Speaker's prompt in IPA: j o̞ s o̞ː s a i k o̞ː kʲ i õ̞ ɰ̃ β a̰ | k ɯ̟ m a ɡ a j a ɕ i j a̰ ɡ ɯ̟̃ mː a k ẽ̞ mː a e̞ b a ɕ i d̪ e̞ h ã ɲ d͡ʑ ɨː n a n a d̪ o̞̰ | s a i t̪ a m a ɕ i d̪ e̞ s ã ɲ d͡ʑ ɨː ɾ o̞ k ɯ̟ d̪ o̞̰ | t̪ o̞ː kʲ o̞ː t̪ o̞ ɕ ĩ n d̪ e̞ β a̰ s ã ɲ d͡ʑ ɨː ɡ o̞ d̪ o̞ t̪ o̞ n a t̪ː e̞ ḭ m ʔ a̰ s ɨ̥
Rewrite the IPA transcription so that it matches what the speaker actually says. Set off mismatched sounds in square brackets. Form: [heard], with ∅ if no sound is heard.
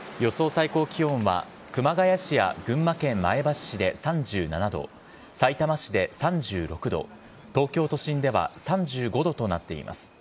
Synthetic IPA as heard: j o̞ s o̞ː s a i k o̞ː kʲ i õ̞ ɰ̃ β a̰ | k ɯ̟ m a ɡ a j a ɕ i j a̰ ɡ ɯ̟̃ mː a k ẽ̞ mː a e̞ b a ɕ i d̪ e̞ [s] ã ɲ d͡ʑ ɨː n a n a d̪ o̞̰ | s a i t̪ a m a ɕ i d̪ e̞ s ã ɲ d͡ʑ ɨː ɾ o̞ k ɯ̟ d̪ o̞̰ | t̪ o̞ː kʲ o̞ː t̪ o̞ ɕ ĩ n d̪ e̞ β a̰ s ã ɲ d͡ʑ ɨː ɡ o̞ d̪ o̞ t̪ o̞ n a t̪ː e̞ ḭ m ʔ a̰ s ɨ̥